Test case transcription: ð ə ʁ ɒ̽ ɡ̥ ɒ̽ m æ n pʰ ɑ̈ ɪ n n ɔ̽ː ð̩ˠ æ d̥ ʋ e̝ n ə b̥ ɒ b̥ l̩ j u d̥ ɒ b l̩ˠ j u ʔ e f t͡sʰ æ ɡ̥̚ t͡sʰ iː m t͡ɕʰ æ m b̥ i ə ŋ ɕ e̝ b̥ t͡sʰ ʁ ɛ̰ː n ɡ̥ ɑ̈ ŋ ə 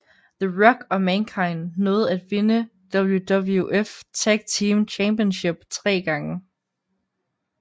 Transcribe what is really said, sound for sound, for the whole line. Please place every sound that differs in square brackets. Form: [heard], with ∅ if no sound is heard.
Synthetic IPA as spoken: ð ə ʁ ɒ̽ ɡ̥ ɒ̽ m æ n [kʰ] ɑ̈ ɪ n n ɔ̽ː ð̩ˠ æ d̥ ʋ e̝ n ə [d̥] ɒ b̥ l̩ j u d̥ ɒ b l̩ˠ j u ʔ e f t͡sʰ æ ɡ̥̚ t͡sʰ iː m t͡ɕʰ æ m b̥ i ə [n] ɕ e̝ b̥ t͡sʰ ʁ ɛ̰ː [∅] ɡ̥ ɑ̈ ŋ ə